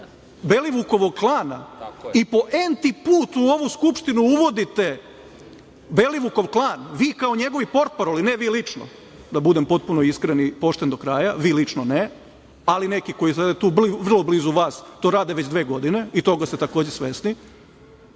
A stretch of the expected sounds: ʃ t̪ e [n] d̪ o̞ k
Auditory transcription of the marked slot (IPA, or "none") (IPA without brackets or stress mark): n